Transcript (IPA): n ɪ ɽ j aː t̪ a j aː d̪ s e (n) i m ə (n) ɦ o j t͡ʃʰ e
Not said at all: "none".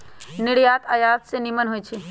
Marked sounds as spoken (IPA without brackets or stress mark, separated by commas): n, n